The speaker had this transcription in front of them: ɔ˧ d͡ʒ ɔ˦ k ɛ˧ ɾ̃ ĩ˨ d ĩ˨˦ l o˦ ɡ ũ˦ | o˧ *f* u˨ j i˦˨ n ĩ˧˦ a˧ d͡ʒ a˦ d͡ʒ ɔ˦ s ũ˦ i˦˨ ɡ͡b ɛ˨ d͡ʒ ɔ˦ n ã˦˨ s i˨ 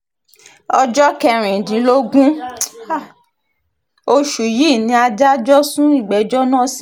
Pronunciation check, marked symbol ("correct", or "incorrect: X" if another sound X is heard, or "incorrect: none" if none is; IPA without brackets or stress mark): incorrect: ʃ